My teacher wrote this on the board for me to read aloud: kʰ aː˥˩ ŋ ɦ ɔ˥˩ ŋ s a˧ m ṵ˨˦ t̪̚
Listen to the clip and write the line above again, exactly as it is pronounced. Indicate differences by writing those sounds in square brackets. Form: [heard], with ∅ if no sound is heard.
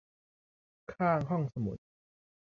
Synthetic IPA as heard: kʰ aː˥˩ ŋ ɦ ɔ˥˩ ŋ s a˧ m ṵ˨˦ t̪̚